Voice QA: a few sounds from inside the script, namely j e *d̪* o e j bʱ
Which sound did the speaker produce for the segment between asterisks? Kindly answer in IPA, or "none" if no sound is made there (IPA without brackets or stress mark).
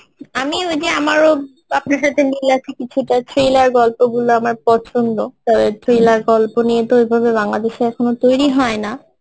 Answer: t̪